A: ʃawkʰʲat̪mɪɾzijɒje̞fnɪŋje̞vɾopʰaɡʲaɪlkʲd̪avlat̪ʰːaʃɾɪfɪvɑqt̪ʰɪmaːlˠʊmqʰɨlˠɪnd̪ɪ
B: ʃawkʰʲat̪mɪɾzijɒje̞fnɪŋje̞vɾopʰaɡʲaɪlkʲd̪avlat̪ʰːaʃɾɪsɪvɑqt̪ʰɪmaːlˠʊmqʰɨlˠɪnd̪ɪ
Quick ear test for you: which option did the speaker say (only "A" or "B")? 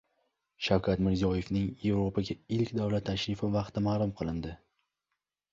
A